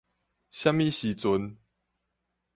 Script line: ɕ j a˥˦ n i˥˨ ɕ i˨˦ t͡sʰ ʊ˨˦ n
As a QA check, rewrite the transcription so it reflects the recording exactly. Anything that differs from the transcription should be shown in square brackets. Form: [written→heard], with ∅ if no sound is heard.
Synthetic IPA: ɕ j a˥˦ [n→m] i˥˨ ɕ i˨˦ [t͡sʰ→t͡s] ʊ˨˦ n